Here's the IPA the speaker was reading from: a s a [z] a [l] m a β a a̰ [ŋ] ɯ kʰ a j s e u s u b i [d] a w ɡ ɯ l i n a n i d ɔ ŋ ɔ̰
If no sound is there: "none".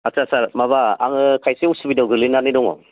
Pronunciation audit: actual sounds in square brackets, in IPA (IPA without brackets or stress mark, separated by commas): s, ɾ, ŋ, d